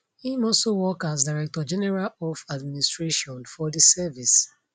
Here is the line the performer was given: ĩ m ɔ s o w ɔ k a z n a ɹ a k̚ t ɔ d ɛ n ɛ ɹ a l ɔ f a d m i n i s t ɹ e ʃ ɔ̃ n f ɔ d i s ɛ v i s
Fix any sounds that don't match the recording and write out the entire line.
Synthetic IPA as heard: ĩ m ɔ s o w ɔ k a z d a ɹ ɛ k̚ t ɔ d͡ʒ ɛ n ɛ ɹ a l ɔ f a d m i n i s t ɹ e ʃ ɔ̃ n f ɔ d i s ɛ v i s